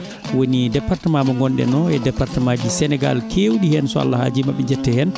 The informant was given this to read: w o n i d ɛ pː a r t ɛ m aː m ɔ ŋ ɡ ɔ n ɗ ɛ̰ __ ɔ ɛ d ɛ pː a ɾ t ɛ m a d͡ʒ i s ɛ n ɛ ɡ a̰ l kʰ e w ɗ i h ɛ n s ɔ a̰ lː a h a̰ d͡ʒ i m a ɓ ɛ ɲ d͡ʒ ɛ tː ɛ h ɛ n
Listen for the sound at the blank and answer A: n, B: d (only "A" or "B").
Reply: A